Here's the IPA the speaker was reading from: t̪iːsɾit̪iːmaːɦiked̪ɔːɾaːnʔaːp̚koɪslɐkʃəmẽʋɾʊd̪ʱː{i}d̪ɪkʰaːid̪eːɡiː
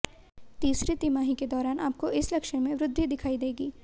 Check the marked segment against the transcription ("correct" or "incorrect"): correct